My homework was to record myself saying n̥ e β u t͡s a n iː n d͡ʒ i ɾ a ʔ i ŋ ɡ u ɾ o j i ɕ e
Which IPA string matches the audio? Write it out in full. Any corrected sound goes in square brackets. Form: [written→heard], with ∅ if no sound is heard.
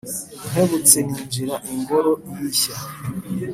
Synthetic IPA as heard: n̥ e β u t͡s [a→e] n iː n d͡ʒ i ɾ a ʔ i ŋ ɡ [u→o] ɾ o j i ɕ [e→a]